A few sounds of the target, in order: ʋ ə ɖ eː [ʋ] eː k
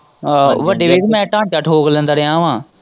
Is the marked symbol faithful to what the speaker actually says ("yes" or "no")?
yes